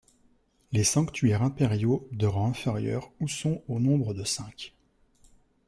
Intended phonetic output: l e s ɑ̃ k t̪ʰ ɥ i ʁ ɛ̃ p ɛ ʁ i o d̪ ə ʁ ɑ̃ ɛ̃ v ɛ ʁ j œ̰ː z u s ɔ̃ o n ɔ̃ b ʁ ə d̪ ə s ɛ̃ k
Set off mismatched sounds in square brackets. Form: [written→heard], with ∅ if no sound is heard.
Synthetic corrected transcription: l e s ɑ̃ k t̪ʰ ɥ [i→ɛ] ʁ ɛ̃ p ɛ ʁ [i→j] o d̪ ə ʁ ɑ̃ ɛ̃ [v→f] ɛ ʁ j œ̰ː [z→ʁ] u s ɔ̃ o n ɔ̃ b ʁ ə d̪ ə s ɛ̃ k